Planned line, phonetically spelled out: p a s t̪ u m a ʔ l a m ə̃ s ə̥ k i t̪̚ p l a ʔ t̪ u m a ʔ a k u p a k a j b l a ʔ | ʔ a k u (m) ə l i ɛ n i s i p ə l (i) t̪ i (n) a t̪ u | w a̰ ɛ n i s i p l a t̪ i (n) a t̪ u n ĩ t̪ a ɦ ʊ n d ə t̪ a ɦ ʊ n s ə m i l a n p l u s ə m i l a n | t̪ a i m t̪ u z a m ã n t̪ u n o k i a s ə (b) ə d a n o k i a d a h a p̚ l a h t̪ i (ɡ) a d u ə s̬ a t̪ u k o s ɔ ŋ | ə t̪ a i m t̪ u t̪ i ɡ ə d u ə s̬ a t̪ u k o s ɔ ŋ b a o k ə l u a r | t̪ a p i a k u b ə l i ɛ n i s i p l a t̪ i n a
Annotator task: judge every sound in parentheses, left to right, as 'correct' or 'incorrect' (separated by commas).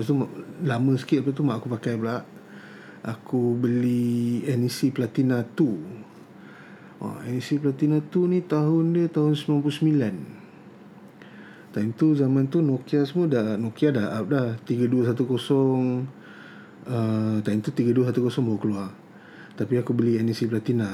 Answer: incorrect, incorrect, correct, correct, incorrect, correct